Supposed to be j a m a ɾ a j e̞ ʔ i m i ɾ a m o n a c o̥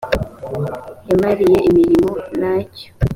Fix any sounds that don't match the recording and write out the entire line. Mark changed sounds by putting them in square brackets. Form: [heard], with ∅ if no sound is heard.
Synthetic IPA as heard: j a m a ɾ [i] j e̞ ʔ i m i ɾ [i] m o n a c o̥